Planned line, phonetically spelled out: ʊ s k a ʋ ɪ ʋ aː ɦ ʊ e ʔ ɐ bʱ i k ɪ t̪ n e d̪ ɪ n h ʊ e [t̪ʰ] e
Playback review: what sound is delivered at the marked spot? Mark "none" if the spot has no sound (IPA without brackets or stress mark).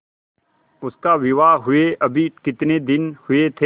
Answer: t̪ʰ